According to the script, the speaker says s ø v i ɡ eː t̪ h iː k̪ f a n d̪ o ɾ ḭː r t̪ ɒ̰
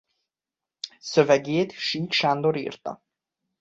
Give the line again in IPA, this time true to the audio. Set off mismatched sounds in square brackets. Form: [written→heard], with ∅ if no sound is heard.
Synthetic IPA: s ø v [i→ɛ] ɡ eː t̪ [h→ʃ] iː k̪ [f→ʃ] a n d̪ o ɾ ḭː r t̪ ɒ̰

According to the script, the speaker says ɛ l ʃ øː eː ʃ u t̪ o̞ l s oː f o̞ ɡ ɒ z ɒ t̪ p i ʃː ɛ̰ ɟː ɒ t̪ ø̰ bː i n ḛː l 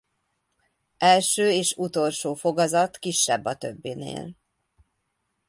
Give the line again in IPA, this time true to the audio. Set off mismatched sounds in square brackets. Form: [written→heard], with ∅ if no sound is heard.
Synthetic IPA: ɛ l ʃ øː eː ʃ u t̪ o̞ l [s→ʃ] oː f o̞ ɡ ɒ z ɒ t̪ [p→k] i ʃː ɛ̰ [ɟː→bː] ɒ t̪ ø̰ bː i n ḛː l

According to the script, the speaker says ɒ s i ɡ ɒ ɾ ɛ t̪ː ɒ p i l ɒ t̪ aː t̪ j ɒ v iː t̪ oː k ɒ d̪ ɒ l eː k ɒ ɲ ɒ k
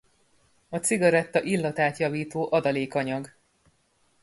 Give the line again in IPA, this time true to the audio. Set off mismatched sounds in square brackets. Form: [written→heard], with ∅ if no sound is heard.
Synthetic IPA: ɒ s i ɡ ɒ ɾ ɛ t̪ː ɒ [p→ʔ] i [l→lː] ɒ t̪ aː t̪ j ɒ v iː t̪ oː [k→ʔ] ɒ d̪ ɒ l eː k ɒ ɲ ɒ [k→ɡ]

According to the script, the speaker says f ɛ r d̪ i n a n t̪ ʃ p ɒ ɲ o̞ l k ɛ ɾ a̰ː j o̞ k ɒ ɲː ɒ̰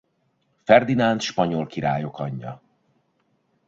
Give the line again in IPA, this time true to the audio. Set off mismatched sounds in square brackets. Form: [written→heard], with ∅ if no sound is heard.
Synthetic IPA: f ɛ r d̪ i n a n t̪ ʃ p ɒ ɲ o̞ l k [ɛ→i] ɾ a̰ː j o̞ k ɒ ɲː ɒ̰

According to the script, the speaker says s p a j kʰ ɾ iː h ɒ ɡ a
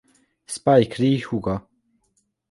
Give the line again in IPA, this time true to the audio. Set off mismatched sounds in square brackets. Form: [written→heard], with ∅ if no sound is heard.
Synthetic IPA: s p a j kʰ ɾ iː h [ɒ→u] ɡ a

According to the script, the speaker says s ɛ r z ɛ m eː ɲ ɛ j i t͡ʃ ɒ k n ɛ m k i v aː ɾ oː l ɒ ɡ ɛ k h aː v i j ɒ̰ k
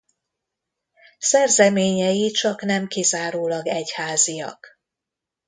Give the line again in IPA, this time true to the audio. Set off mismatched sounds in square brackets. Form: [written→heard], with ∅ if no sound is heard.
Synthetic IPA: s ɛ r z ɛ m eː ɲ ɛ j i t͡ʃ ɒ k n ɛ m k i [v→z] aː ɾ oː l ɒ ɡ ɛ [k→c] h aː [v→z] i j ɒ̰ k

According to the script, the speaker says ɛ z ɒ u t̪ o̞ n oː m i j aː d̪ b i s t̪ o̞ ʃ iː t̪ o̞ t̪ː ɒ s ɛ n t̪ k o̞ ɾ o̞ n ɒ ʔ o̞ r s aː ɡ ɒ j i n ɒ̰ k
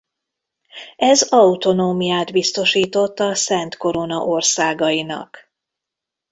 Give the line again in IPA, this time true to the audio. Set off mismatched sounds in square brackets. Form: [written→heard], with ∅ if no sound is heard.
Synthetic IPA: ɛ z ɒ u t̪ o̞ n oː m i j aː d̪ b i s t̪ o̞ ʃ iː t̪ o̞ t̪ː ɒ s ɛ n t̪ k o̞ ɾ o̞ n ɒ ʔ o̞ r s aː ɡ ɒ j i n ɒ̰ k

